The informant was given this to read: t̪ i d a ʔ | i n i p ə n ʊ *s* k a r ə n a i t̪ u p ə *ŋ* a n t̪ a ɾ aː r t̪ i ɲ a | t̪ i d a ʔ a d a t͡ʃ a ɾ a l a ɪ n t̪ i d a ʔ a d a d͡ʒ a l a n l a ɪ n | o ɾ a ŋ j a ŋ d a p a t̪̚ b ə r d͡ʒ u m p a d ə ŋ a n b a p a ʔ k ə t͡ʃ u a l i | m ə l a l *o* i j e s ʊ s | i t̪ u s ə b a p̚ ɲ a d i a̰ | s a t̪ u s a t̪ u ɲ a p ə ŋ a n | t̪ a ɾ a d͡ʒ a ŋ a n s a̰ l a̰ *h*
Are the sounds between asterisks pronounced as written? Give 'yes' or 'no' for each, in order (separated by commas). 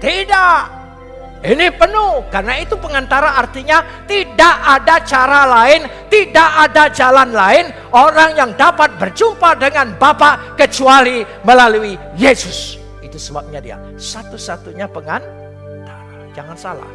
no, yes, no, yes